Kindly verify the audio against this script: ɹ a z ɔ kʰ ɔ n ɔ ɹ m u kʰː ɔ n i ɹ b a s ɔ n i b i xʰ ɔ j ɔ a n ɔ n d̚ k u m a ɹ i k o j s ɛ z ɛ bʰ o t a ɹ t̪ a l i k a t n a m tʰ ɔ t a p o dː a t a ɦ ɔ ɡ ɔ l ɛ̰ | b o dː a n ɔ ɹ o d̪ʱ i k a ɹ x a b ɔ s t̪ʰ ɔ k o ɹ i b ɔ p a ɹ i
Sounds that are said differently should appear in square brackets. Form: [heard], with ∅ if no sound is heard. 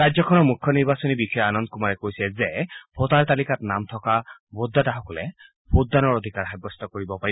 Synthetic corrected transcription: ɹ a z ɔ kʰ ɔ n ɔ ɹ m u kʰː ɔ n i ɹ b a s ɔ n i b i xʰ ɔ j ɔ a n ɔ n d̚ k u m a ɹ [ɛ] k o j s ɛ z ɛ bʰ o t a ɹ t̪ a l i k a t n a m tʰ ɔ [k] a [b] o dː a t a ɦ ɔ [k] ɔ l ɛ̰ | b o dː a n ɔ ɹ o d̪ʱ i k a ɹ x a b ɔ s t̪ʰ ɔ k o ɹ i b ɔ p a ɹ i